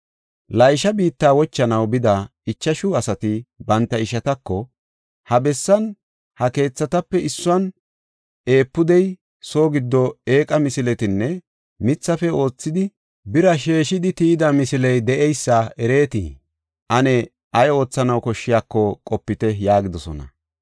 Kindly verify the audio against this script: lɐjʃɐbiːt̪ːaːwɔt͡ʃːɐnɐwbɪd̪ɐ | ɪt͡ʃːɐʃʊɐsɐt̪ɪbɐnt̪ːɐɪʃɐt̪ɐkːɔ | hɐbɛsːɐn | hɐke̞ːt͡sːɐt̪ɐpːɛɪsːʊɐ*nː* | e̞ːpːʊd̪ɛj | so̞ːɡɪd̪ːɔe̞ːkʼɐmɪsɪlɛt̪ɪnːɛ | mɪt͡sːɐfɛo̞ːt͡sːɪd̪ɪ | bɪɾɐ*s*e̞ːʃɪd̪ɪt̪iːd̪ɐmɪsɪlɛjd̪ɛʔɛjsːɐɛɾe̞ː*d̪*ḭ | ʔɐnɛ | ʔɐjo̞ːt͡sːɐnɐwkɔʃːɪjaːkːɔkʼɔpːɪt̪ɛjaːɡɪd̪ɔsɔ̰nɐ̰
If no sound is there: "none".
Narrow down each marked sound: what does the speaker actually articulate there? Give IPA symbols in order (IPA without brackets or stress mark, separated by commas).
n, ʃ, t̪